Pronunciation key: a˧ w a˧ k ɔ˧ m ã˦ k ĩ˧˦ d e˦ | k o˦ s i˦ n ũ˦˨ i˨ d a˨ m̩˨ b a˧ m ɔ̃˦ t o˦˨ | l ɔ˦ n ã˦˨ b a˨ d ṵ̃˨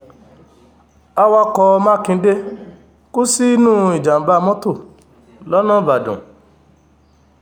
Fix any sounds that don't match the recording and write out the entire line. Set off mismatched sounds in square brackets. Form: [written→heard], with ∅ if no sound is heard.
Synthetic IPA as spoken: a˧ w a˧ k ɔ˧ m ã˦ k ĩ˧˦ d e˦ | k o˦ s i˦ n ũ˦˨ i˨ [d→d͡ʒ] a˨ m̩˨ b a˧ m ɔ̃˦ t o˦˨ | l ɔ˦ n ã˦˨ b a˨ d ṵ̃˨